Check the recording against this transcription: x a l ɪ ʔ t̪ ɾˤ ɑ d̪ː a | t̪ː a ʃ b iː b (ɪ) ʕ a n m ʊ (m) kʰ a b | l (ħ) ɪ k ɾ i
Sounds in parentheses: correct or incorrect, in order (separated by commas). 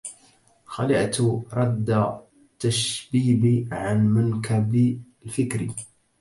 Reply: incorrect, incorrect, incorrect